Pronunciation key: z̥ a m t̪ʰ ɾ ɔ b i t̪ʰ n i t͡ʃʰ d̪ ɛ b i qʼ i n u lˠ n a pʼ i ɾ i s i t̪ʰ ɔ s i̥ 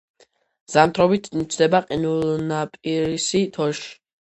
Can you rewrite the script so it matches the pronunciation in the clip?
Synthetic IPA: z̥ a m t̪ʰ ɾ ɔ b i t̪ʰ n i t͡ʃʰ d̪ ɛ b a qʼ i n u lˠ n a pʼ i ɾ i s i t̪ʰ ɔ ʃ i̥